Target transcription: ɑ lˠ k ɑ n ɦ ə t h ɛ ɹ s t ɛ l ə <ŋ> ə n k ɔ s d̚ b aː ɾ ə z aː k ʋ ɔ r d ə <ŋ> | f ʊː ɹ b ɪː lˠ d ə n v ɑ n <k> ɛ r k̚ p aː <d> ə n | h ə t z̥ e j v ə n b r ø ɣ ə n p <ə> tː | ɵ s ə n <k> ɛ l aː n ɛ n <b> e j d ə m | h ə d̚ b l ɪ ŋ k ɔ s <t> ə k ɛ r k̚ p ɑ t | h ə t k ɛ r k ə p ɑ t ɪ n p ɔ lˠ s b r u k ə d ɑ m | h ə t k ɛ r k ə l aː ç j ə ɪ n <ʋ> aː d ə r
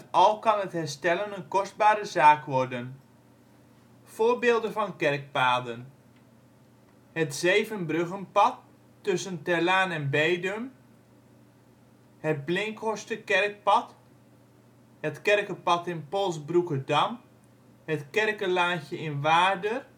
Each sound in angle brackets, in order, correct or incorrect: incorrect: n, incorrect: n, correct, correct, incorrect: ɑ, incorrect: t, correct, correct, correct

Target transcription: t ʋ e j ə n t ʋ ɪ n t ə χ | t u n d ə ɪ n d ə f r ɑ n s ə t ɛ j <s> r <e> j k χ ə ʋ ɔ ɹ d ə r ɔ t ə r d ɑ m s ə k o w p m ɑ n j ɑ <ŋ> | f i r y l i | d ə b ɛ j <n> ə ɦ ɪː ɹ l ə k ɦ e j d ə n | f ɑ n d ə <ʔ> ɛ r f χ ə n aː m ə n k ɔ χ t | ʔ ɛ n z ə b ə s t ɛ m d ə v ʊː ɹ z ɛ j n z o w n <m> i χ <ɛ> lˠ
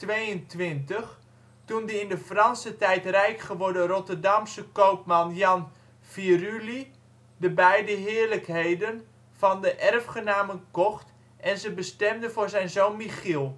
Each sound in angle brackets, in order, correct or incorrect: incorrect: t, incorrect: ɛ, incorrect: n, incorrect: d, correct, correct, incorrect: i

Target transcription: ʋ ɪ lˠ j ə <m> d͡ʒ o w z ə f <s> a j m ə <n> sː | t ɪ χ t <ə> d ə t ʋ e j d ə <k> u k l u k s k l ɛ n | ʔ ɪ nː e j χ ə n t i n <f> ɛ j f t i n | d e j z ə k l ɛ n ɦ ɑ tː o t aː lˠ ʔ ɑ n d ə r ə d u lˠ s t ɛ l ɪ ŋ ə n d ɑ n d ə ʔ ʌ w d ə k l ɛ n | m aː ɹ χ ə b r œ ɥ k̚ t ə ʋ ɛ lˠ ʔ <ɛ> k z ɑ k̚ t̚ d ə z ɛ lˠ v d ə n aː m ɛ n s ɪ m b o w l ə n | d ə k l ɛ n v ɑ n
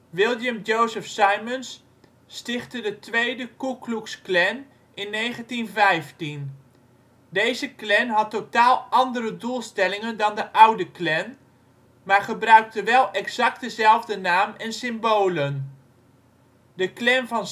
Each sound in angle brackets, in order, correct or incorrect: correct, correct, correct, correct, correct, incorrect: v, correct

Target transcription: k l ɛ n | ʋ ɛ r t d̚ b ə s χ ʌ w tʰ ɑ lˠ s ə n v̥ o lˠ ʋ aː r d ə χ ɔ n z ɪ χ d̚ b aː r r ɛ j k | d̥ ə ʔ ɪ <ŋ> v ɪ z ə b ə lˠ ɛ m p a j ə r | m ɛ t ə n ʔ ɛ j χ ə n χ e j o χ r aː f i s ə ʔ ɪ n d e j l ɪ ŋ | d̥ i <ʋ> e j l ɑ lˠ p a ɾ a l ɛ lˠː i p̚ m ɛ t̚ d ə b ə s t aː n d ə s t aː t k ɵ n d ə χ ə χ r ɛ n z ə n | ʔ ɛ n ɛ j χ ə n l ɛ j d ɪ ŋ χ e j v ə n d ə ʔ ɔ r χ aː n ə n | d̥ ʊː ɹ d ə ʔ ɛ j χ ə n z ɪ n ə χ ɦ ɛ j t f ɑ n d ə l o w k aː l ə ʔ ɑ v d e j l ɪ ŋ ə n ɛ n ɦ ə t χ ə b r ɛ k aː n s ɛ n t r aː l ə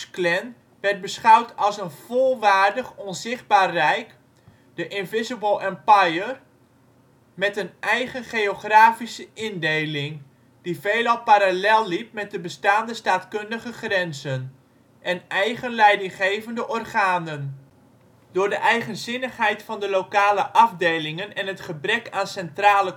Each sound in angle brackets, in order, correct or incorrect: incorrect: n, incorrect: v

